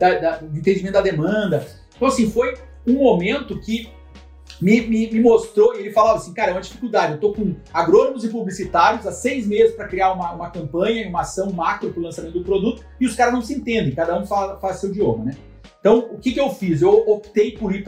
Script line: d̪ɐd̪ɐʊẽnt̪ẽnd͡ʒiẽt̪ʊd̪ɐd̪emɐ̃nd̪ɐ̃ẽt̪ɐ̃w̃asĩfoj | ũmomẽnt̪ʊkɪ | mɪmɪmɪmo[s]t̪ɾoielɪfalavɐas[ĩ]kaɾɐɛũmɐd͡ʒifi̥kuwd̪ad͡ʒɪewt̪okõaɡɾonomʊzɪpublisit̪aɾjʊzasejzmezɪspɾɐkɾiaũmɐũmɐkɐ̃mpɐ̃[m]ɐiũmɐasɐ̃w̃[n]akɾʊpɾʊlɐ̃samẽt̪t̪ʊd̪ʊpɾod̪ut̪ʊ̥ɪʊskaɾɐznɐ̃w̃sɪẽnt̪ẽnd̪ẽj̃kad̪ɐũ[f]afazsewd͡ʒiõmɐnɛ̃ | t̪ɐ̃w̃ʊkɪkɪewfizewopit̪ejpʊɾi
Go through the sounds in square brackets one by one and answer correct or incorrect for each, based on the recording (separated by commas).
correct, correct, incorrect, incorrect, correct